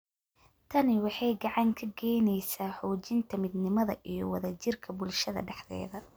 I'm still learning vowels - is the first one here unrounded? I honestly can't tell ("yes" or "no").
yes